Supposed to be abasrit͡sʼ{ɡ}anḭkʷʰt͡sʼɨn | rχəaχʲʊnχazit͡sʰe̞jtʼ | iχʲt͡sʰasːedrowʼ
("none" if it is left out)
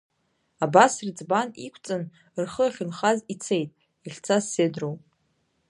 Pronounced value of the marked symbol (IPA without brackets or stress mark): b